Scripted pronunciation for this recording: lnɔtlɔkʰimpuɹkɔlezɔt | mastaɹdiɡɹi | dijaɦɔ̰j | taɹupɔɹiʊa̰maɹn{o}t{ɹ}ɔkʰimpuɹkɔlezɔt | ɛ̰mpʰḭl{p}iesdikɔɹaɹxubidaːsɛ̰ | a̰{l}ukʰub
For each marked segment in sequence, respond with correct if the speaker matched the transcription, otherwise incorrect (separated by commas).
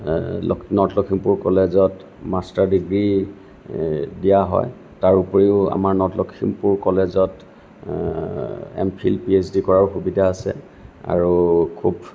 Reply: incorrect, incorrect, correct, incorrect